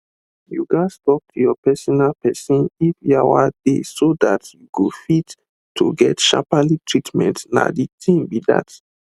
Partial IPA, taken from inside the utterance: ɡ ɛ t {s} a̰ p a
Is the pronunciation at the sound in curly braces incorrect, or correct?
incorrect